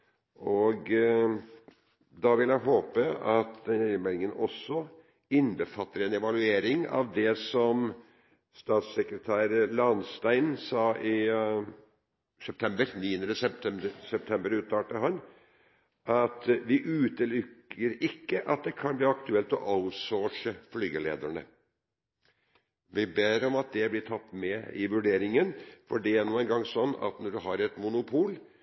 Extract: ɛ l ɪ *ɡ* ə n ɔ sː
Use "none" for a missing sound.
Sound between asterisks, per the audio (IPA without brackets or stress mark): ŋ